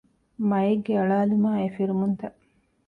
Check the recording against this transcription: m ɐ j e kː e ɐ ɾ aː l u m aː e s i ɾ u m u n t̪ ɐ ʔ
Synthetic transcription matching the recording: m ɐ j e ɡː e ɐ ɭ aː l u m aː e f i ɾ u m u n t̪ ɐ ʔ